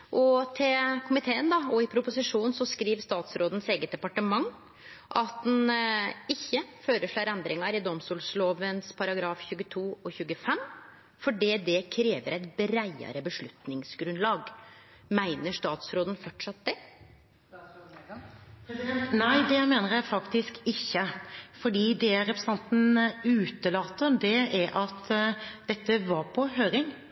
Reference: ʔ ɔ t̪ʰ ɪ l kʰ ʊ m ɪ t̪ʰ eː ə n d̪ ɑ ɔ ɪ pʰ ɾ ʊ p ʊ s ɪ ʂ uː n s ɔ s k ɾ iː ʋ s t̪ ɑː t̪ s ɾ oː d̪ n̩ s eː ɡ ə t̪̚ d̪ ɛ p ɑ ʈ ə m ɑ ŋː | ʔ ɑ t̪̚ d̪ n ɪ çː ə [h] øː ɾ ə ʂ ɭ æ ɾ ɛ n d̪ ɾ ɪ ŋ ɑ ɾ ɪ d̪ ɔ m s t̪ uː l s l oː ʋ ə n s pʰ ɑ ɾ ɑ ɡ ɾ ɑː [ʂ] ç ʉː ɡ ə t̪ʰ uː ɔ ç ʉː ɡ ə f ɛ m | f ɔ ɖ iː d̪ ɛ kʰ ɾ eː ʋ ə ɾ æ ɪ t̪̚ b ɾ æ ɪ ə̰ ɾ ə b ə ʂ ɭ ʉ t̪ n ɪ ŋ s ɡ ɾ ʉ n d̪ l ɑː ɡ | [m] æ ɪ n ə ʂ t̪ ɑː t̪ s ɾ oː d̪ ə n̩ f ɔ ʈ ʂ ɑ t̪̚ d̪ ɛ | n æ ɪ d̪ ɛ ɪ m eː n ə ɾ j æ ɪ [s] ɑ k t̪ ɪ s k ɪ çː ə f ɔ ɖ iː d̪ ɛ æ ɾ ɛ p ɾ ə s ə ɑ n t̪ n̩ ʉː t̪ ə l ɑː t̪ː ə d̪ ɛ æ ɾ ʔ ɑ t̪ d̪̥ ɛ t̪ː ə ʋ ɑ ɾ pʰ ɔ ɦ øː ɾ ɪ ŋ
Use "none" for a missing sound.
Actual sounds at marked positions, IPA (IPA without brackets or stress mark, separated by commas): f, f, m, f